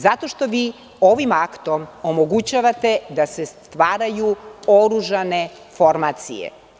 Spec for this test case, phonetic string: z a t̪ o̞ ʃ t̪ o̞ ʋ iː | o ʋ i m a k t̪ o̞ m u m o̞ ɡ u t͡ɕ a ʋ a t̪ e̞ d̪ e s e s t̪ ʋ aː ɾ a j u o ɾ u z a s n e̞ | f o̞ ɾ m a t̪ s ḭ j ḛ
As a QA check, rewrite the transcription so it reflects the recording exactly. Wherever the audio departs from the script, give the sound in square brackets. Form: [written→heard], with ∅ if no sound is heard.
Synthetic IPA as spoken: z a t̪ o̞ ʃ t̪ o̞ ʋ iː | o ʋ i m a k t̪ o̞ m [u→o] m o̞ ɡ u t͡ɕ a ʋ a t̪ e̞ d̪ [e→a] s e s t̪ ʋ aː ɾ a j u o ɾ u [z→ʒ] a [s→∅] n e̞ | f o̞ ɾ m a t̪ s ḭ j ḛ